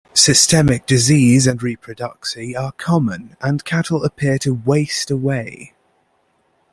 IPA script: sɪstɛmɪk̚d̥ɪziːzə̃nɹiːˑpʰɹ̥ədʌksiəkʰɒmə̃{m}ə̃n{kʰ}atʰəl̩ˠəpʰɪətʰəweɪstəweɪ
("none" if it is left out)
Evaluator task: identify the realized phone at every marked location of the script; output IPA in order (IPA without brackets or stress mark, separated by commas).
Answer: n, kʰ